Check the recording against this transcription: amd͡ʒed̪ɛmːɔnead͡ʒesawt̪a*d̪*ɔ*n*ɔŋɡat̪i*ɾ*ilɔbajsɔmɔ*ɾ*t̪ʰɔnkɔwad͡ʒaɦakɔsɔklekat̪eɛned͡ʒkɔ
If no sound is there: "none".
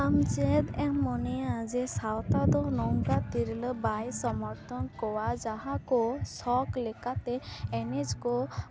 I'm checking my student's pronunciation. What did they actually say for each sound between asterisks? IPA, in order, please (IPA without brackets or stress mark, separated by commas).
d̪, n, ɾ, ɾ